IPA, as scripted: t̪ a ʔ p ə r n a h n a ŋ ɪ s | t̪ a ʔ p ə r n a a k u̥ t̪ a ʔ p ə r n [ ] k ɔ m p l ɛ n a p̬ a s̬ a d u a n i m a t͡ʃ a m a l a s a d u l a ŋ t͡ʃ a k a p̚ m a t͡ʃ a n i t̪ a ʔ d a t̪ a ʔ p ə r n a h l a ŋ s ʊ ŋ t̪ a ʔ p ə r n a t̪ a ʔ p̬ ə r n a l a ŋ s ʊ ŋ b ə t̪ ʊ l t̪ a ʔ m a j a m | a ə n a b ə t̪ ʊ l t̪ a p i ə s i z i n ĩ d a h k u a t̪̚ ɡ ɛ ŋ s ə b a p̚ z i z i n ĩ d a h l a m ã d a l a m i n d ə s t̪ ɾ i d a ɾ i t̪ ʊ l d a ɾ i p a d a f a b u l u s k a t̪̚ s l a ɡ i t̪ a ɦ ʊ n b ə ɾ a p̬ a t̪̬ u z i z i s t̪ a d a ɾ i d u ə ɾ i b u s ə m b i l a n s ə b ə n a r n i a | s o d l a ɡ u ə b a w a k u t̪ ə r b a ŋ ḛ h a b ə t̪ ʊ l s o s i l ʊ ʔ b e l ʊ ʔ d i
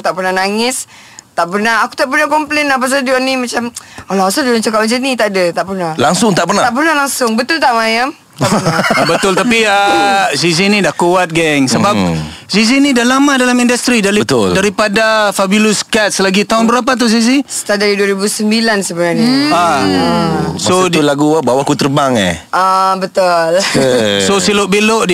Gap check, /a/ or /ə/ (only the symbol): a